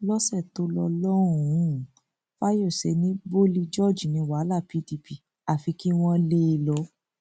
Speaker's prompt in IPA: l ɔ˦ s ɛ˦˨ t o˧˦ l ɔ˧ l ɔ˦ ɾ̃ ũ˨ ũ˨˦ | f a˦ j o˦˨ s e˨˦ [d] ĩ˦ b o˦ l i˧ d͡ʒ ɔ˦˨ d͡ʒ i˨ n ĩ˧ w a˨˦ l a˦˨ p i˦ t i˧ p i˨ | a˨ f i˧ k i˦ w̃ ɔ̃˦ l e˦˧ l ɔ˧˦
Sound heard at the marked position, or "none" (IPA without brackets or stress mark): n